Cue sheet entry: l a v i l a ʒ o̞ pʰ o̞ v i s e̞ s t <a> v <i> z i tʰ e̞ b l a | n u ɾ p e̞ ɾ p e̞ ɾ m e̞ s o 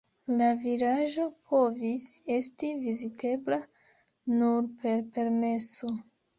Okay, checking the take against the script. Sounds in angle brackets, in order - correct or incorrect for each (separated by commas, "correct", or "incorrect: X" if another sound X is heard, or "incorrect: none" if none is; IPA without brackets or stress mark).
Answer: incorrect: i, correct